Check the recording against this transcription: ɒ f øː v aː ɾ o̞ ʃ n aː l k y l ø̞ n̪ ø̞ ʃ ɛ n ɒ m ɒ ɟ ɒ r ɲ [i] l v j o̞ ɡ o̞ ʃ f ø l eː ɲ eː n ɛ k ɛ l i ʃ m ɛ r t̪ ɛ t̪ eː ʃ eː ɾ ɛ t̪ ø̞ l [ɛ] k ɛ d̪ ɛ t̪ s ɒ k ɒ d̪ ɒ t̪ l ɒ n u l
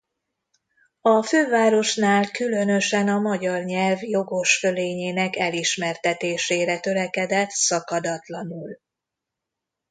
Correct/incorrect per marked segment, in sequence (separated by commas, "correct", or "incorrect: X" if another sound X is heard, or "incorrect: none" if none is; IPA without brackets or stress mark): incorrect: ɛ, correct